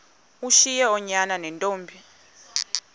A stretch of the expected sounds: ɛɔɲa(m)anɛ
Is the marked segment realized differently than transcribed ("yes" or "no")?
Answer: yes